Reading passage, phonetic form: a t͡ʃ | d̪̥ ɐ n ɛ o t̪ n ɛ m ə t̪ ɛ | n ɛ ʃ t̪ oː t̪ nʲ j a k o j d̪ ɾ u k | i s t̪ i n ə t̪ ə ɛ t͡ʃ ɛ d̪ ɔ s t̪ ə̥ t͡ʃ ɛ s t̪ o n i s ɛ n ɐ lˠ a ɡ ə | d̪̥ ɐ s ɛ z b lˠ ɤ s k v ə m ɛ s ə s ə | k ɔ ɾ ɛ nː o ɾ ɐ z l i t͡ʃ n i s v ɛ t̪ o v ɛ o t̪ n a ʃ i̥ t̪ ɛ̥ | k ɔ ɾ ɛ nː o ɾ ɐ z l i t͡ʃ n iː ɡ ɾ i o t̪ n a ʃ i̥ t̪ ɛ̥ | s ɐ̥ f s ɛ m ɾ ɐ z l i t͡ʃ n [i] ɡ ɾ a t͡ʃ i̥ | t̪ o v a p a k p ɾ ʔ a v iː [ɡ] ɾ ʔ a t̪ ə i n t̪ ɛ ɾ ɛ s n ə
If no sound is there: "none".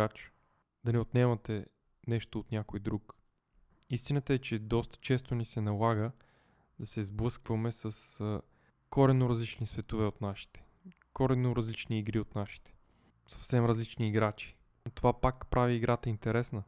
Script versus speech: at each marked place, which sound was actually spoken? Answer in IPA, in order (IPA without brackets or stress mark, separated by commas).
iː, ɡ